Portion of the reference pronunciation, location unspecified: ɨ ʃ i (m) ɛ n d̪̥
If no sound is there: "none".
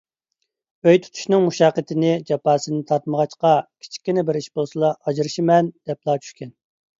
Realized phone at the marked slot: m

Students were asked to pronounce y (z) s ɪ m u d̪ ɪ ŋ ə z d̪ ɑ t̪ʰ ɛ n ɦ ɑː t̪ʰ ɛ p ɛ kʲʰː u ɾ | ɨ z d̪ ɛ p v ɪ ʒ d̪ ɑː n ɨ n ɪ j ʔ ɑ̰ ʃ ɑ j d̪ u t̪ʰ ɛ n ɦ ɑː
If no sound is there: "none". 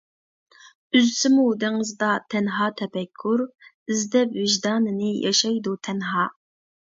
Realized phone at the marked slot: z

